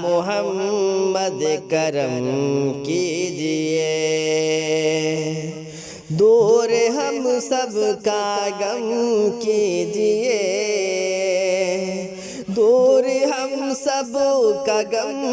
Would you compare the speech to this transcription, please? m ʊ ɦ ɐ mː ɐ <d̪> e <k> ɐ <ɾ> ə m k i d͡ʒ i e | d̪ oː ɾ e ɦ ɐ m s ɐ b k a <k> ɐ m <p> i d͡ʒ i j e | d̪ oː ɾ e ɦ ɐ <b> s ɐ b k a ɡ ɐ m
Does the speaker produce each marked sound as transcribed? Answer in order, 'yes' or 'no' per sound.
yes, yes, yes, no, no, no

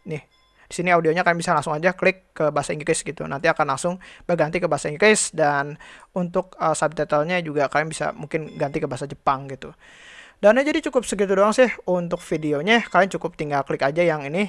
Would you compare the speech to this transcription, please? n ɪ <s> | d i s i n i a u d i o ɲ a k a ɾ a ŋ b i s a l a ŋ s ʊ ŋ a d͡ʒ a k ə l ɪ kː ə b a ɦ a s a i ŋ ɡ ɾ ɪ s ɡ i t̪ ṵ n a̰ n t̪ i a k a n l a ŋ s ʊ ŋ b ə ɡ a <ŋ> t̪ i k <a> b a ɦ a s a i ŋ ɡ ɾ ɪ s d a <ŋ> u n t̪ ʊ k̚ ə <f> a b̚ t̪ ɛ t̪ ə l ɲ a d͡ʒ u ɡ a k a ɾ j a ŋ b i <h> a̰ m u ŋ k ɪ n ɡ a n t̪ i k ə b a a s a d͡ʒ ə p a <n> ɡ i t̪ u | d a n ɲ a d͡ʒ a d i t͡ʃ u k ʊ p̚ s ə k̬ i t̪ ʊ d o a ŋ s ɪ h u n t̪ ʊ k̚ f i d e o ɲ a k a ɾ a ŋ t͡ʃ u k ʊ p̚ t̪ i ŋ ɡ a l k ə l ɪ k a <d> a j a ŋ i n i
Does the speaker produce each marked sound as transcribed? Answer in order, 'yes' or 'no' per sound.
no, no, no, no, no, no, no, no

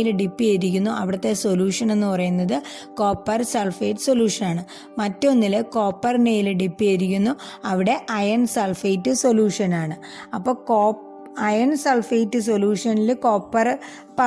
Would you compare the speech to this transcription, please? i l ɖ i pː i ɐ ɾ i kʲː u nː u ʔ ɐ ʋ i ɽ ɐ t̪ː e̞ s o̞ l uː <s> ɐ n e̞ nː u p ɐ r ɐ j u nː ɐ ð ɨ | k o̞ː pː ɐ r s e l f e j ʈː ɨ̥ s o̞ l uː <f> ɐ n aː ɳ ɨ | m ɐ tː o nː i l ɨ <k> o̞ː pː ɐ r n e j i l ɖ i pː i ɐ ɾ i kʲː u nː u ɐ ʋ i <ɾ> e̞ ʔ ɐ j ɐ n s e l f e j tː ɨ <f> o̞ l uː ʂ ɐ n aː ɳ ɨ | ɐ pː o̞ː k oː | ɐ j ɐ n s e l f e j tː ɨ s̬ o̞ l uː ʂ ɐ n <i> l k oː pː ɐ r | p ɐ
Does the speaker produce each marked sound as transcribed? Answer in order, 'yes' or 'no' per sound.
no, no, yes, no, no, yes

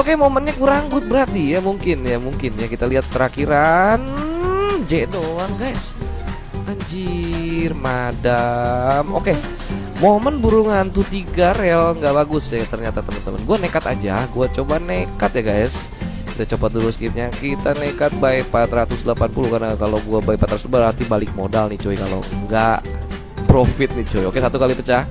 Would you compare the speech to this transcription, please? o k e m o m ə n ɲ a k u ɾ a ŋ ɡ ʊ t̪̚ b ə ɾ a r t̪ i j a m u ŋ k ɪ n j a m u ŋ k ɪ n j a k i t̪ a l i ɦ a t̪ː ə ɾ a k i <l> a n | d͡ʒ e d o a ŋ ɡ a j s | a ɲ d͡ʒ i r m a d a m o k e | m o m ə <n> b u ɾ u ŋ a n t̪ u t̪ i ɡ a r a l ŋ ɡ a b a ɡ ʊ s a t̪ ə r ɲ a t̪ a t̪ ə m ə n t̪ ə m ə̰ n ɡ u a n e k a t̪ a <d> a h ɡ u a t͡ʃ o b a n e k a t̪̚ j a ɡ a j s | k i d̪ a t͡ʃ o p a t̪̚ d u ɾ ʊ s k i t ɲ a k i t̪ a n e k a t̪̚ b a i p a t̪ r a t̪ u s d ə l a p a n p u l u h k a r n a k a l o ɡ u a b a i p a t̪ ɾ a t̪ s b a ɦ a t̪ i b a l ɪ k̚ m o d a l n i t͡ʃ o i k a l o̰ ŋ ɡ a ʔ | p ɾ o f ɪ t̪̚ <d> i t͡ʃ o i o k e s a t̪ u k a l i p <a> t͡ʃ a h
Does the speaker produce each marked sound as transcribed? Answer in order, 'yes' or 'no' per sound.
no, yes, no, no, no

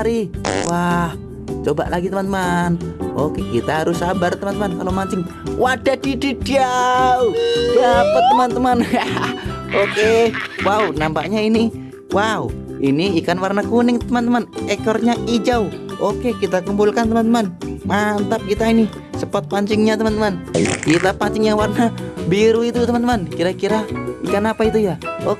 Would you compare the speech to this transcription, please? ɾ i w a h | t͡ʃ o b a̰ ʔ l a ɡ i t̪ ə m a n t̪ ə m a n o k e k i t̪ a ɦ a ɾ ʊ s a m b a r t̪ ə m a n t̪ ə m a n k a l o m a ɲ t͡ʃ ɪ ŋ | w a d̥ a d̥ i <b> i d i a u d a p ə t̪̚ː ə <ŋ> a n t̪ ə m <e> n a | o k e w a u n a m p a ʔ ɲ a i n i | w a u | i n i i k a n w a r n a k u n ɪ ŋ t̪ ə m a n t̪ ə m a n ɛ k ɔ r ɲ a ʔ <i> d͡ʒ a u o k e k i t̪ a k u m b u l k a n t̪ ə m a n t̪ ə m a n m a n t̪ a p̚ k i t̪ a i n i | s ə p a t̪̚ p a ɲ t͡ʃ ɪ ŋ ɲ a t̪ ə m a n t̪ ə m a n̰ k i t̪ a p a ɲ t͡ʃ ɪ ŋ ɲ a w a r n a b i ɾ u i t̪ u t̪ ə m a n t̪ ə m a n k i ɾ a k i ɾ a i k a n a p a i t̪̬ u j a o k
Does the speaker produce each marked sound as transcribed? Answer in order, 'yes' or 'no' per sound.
no, no, no, yes

